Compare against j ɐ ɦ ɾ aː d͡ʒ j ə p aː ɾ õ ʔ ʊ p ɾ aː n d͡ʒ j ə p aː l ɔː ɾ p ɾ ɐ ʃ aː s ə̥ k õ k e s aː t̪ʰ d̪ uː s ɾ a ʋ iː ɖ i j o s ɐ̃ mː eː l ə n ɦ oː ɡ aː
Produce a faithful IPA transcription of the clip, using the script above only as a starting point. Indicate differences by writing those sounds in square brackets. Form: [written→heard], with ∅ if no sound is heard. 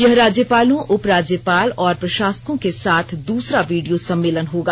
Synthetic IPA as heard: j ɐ ɦ ɾ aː d͡ʒ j ə p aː [ɾ→l] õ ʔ ʊ p ɾ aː [n→∅] d͡ʒ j ə p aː l ɔː ɾ p ɾ ɐ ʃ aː s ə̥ k õ k e s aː t̪ʰ d̪ uː s ɾ a ʋ iː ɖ i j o s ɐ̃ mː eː l ə n ɦ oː ɡ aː